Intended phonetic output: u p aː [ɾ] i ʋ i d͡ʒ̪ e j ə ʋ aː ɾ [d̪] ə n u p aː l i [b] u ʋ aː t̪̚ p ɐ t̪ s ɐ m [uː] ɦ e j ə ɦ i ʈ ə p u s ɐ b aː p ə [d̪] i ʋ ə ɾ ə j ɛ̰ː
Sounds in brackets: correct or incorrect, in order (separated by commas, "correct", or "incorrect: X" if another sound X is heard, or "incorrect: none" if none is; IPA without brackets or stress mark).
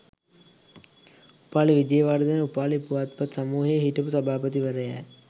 incorrect: l, correct, incorrect: p, correct, incorrect: t̪